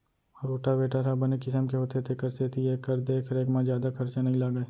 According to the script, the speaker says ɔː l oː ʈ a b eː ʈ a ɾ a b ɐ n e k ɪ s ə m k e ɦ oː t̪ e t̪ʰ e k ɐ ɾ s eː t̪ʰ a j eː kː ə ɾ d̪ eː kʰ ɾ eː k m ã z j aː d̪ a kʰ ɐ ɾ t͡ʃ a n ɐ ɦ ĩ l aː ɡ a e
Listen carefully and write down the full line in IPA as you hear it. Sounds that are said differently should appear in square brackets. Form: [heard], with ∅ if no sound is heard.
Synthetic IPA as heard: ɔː [ɾ] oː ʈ a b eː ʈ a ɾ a b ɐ n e k ɪ s ə m k e ɦ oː t̪ e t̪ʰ e k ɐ ɾ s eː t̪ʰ [i] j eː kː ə ɾ d̪ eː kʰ ɾ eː k m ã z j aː d̪ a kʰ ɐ ɾ t͡ʃ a n ɐ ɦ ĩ l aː ɡ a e